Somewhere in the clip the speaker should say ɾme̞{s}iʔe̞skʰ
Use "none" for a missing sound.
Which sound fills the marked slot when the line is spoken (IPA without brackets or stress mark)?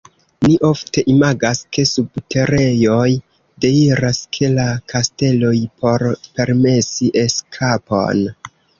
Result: s